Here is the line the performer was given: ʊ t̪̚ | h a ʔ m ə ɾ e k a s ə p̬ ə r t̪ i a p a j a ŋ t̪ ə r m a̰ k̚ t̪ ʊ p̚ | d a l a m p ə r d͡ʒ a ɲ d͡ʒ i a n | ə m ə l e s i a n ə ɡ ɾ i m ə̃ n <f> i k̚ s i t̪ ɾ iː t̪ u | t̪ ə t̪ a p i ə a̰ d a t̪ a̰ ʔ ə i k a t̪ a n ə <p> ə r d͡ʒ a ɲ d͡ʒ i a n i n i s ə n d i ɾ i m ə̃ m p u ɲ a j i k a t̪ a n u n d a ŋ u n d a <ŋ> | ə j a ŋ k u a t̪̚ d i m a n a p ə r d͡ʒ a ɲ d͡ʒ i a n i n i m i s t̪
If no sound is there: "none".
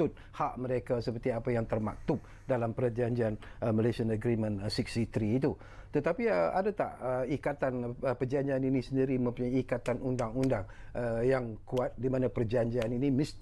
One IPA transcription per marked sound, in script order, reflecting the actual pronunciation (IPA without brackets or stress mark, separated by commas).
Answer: s, p, ŋ